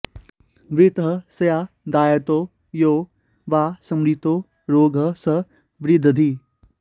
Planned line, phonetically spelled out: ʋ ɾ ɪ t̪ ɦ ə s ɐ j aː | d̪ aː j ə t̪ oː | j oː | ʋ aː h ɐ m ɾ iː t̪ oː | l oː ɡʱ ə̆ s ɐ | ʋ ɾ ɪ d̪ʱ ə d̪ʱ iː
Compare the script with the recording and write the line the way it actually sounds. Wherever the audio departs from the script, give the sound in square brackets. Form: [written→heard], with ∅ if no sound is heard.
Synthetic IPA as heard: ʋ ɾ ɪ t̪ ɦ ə s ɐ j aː | d̪ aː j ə t̪ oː | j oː | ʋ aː [h→s] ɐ m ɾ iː t̪ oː | [l→ɾ] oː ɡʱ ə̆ s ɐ | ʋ ɾ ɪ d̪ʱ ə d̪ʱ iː